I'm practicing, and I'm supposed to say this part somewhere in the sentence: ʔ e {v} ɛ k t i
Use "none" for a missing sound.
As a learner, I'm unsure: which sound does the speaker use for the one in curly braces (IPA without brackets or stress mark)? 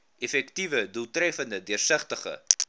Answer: f